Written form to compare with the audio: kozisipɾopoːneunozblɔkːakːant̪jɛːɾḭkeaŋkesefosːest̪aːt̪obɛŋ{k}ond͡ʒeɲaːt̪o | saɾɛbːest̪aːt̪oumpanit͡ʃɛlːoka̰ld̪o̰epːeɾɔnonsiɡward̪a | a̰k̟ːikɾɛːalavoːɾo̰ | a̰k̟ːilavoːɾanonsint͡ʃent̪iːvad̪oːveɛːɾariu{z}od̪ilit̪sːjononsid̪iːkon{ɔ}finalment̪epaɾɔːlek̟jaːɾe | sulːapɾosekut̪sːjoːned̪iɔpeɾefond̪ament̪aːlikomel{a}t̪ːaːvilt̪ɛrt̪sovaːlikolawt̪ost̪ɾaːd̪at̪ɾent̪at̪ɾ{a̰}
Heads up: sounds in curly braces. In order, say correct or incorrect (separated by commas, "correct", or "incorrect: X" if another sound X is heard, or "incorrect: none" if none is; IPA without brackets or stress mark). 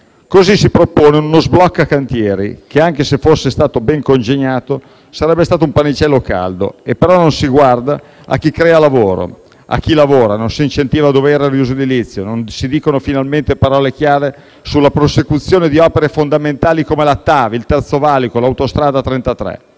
correct, correct, incorrect: o, correct, incorrect: ɛ̰